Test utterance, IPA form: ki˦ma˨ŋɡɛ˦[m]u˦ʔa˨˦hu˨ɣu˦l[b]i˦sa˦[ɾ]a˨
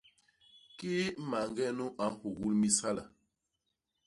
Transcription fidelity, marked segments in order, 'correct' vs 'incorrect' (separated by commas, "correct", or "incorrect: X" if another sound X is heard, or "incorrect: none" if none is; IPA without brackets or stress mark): incorrect: n, incorrect: m, incorrect: l